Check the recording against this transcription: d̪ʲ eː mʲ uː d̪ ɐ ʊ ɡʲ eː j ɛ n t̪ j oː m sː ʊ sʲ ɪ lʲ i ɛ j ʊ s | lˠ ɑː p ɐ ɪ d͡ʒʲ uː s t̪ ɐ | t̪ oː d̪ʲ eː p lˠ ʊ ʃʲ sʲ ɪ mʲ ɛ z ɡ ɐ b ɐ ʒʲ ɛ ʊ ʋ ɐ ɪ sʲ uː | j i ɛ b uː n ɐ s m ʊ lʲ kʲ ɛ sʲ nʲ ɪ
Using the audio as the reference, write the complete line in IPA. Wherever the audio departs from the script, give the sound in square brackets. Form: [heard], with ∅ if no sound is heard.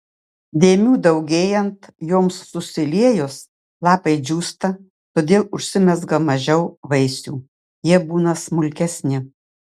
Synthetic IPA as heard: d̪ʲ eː mʲ uː d̪ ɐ ʊ ɡʲ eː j ɛ n t̪ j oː m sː ʊ sʲ ɪ lʲ i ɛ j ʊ s | lˠ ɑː p ɐ ɪ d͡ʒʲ uː s t̪ ɐ | t̪ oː d̪ʲ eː [∅] lˠ ʊ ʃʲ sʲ ɪ mʲ ɛ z ɡ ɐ [m] ɐ ʒʲ ɛ ʊ ʋ ɐ ɪ sʲ uː | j i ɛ b uː n ɐ s m ʊ lʲ kʲ ɛ sʲ nʲ ɪ

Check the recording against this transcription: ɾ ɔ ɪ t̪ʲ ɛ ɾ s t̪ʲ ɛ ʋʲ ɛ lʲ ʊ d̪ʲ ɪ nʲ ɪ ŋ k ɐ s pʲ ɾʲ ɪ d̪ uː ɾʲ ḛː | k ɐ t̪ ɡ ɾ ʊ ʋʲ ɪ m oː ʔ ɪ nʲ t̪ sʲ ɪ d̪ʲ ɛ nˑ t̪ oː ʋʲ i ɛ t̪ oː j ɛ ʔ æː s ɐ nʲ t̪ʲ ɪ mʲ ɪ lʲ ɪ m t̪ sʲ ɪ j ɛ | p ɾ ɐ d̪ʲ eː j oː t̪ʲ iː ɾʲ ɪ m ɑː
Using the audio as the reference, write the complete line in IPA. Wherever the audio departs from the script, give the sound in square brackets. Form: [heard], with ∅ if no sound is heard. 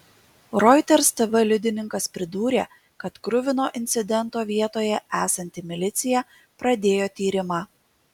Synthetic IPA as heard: ɾ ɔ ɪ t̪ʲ ɛ ɾ s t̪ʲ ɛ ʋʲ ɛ lʲ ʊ d̪ʲ ɪ nʲ ɪ ŋ k ɐ s pʲ ɾʲ ɪ d̪ uː ɾʲ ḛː | k ɐ t̪ [k] ɾ ʊ ʋʲ ɪ [n] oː ʔ ɪ nʲ t̪ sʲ ɪ d̪ʲ ɛ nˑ t̪ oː ʋʲ i ɛ t̪ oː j ɛ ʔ æː s ɐ nʲ t̪ʲ ɪ mʲ ɪ lʲ ɪ [∅] t̪ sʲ ɪ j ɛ | p ɾ ɐ d̪ʲ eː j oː t̪ʲ iː ɾʲ ɪ m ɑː

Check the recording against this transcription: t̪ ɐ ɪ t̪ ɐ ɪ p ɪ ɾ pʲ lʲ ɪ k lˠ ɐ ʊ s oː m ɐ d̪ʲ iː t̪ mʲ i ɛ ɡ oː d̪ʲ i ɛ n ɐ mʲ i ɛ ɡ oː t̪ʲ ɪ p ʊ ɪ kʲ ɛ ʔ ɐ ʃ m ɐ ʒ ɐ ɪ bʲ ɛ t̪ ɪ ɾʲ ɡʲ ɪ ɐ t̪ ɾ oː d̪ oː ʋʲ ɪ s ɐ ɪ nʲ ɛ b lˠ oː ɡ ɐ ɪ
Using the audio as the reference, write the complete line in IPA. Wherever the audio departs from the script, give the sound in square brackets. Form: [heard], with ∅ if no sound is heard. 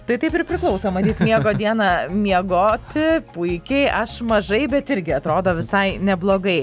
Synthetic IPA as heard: t̪ ɐ ɪ t̪ ɐ ɪ p ɪ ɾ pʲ [ɾʲ] ɪ k lˠ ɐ ʊ s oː m ɐ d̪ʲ iː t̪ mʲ i ɛ ɡ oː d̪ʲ i ɛ n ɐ mʲ i ɛ ɡ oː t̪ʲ ɪ p ʊ ɪ kʲ ɛ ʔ ɐ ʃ m ɐ ʒ ɐ ɪ bʲ ɛ t̪ ɪ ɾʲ ɡʲ ɪ ɐ t̪ ɾ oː d̪ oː ʋʲ ɪ s ɐ ɪ nʲ ɛ b lˠ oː ɡ ɐ ɪ

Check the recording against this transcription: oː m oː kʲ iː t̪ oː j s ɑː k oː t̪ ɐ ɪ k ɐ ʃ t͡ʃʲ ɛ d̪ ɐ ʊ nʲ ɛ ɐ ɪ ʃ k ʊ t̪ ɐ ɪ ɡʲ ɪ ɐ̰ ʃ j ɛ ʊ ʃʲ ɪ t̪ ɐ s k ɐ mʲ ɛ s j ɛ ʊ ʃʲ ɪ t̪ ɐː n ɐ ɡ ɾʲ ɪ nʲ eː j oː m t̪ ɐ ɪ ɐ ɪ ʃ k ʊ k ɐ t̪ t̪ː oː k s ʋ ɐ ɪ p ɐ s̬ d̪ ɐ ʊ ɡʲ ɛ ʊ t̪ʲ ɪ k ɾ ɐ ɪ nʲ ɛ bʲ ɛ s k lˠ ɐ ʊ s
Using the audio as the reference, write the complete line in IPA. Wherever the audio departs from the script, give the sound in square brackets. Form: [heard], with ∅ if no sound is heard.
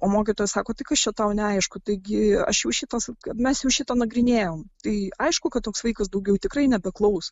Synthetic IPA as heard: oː m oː kʲ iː t̪ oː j s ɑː k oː t̪ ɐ ɪ k ɐ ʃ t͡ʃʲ ɛ [t̪] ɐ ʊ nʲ ɛ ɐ ɪ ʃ k ʊ t̪ ɐ ɪ ɡʲ ɪ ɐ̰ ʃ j ɛ ʊ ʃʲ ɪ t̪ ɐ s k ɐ mʲ ɛ s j ɛ ʊ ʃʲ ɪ t̪ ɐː n ɐ ɡ ɾʲ ɪ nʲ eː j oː m t̪ ɐ ɪ ɐ ɪ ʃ k ʊ k ɐ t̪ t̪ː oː k s ʋ ɐ ɪ [k] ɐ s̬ d̪ ɐ ʊ ɡʲ ɛ ʊ t̪ʲ ɪ k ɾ ɐ ɪ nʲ ɛ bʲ ɛ [∅] k lˠ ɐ ʊ s

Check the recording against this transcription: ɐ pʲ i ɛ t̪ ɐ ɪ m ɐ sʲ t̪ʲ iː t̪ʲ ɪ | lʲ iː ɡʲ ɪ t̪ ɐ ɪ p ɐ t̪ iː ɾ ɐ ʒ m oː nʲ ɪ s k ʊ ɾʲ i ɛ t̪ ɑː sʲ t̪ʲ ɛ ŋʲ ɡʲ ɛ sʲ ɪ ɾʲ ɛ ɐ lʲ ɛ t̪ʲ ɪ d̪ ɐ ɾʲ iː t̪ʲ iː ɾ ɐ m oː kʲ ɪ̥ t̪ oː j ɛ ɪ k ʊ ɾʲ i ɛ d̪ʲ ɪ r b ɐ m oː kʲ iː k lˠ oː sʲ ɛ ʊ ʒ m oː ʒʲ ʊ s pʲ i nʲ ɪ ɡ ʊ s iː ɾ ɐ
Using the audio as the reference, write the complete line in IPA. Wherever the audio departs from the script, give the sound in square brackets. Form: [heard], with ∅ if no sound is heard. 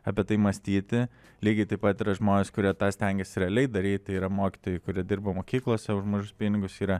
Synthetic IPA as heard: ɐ pʲ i ɛ t̪ ɐ ɪ m ɐ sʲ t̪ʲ iː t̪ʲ ɪ | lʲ iː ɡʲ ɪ t̪ ɐ ɪ p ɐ t̪ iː ɾ ɐ ʒ m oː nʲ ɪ s k ʊ ɾʲ i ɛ t̪ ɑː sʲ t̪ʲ ɛ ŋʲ ɡʲ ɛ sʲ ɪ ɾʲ ɛ ɐ lʲ ɛ [∅] ɪ d̪ ɐ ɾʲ iː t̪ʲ iː ɾ ɐ m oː kʲ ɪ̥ t̪ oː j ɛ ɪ k ʊ ɾʲ i ɛ d̪ʲ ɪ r b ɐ m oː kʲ iː k lˠ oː sʲ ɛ ʊ ʒ m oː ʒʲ ʊ s pʲ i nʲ ɪ ɡ ʊ s iː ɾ ɐ

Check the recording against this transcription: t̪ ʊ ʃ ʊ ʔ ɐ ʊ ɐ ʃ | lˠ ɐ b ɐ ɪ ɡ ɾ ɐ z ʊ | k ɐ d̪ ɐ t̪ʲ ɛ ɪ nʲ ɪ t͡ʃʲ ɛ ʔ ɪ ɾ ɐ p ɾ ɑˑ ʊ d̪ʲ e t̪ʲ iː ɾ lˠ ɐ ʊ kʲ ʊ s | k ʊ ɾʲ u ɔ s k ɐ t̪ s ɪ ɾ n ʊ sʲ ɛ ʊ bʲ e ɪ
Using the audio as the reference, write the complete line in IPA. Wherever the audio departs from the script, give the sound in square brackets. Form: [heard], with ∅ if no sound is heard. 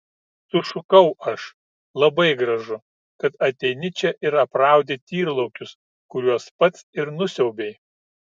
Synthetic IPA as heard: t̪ ʊ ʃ ʊ [k] ɐ ʊ ɐ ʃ | lˠ ɐ b ɐ ɪ ɡ ɾ ɐ [ʒ] ʊ | k ɐ [t̪] ɐ t̪ʲ ɛ ɪ nʲ ɪ t͡ʃʲ ɛ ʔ ɪ ɾ ɐ p ɾ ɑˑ ʊ d̪ʲ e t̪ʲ iː ɾ lˠ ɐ ʊ kʲ ʊ s | k ʊ ɾʲ u ɔ s [p] ɐ t̪ s ɪ ɾ n ʊ sʲ ɛ ʊ bʲ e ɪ

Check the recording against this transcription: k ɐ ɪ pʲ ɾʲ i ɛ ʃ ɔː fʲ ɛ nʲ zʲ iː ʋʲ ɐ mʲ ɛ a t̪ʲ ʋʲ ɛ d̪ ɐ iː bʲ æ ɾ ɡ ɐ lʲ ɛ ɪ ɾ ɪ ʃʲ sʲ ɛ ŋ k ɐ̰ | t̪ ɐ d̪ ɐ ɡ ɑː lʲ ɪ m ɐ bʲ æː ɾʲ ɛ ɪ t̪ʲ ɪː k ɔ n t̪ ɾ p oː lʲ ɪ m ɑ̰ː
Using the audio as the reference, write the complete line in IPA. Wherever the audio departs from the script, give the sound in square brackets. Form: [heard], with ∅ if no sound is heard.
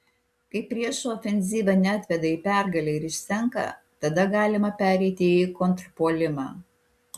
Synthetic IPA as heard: k ɐ ɪ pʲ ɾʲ i ɛ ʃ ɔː fʲ ɛ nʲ zʲ iː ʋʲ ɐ [nʲ] ɛ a t̪ʲ ʋʲ ɛ d̪ ɐ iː [pʲ] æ ɾ ɡ ɐ lʲ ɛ ɪ ɾ ɪ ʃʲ sʲ ɛ ŋ k ɐ̰ | t̪ ɐ d̪ ɐ ɡ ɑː lʲ ɪ m ɐ [pʲ] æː ɾʲ ɛ ɪ t̪ʲ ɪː k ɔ n t̪ ɾ p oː lʲ ɪ m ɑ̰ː

